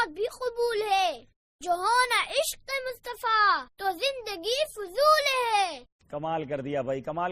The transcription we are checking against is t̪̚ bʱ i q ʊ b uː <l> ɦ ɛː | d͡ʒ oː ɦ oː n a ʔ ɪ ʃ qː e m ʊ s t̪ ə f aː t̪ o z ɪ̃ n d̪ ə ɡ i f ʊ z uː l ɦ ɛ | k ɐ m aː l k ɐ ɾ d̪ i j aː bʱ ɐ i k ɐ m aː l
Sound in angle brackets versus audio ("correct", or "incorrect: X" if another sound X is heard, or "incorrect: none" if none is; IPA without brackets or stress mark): correct